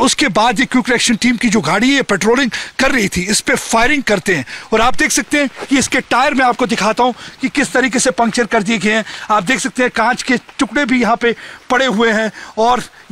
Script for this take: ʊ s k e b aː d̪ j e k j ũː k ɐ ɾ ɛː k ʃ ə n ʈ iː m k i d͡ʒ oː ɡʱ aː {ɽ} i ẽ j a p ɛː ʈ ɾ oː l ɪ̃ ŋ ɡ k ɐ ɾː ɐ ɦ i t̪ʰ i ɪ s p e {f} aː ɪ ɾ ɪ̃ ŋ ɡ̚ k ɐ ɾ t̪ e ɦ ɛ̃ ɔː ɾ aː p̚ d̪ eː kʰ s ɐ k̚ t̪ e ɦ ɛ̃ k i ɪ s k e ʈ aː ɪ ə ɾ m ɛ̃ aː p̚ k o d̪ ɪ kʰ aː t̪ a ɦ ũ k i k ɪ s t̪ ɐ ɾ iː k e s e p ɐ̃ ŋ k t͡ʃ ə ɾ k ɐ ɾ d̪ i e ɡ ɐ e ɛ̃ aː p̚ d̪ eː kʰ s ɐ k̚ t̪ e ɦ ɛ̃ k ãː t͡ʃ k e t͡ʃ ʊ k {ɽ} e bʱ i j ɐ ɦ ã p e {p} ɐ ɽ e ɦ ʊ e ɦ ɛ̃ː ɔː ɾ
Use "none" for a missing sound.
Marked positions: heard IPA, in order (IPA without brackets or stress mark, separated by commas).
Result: ɽ, f, ɽ, p